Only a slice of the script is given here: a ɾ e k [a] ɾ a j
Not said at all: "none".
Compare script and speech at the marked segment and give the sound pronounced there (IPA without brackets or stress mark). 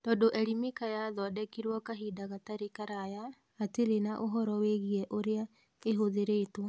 a